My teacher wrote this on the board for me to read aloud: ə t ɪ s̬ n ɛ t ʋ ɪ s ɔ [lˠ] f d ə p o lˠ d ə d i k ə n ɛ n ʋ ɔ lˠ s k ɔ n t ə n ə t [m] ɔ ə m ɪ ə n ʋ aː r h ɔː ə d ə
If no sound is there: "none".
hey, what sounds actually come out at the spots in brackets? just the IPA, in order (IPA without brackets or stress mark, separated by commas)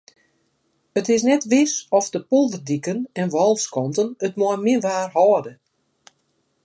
none, m